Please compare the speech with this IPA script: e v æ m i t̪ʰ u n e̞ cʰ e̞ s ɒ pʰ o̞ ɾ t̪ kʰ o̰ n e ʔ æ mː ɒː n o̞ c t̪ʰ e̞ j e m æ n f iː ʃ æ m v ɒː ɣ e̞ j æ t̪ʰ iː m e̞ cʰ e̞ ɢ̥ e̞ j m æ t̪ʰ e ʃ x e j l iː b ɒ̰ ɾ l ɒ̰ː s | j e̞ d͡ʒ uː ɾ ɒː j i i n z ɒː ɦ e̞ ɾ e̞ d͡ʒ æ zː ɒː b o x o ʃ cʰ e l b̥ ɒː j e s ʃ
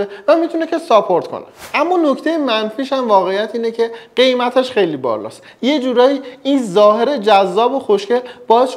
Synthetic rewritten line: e v æ m i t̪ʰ u n e̞ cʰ e̞ s ɒ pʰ o̞ ɾ t̪ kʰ o̰ n e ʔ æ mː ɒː n o̞ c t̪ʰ e̞ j e m æ n f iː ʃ æ m v ɒː ɣ e̞ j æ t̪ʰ iː n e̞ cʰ e̞ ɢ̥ e̞ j m æ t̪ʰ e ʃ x e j l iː b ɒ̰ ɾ l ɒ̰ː s | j e̞ d͡ʒ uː ɾ ɒː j i i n z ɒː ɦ e̞ ɾ e̞ d͡ʒ æ zː ɒː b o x o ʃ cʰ e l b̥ ɒː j e s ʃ